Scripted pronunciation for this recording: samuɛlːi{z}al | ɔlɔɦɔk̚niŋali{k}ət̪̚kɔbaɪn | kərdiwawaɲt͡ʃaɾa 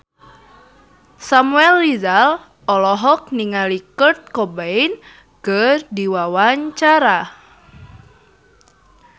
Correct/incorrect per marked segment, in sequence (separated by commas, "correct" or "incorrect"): correct, correct